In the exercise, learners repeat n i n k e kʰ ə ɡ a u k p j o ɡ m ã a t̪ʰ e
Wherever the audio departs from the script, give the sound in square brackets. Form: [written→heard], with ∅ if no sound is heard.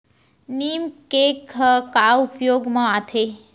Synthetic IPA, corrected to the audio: n i [n→m] k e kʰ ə [ɡ→k] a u [k→∅] p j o ɡ m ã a t̪ʰ e